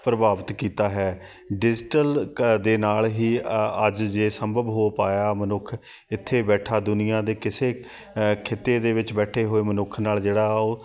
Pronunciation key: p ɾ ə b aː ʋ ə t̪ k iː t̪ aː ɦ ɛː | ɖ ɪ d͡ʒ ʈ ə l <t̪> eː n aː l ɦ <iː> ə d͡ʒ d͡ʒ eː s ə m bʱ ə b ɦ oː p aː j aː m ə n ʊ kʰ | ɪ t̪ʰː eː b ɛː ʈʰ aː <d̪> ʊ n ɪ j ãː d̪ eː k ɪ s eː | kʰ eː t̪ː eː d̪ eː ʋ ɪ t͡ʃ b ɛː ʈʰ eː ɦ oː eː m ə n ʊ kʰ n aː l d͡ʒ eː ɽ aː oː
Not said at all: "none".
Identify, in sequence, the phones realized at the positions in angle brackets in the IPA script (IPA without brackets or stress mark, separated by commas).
d̪, iː, d̪